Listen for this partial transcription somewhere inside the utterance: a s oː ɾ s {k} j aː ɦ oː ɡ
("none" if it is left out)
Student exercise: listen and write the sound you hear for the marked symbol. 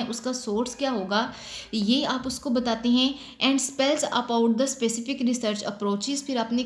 k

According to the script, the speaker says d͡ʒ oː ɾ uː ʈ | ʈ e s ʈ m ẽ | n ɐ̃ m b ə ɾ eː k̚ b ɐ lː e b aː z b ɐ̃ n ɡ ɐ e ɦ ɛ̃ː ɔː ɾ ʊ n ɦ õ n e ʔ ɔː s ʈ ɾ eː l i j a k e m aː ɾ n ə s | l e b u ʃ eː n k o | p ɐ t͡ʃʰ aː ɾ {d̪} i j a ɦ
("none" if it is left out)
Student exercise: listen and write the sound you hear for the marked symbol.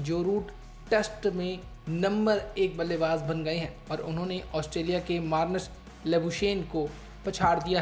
d̪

